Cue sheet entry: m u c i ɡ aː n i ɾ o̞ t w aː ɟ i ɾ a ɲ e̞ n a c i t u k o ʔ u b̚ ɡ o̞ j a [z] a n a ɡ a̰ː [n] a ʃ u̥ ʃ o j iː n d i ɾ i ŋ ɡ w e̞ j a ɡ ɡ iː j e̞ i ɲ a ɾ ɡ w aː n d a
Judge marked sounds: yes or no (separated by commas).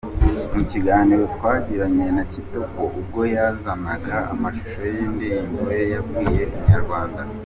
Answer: yes, no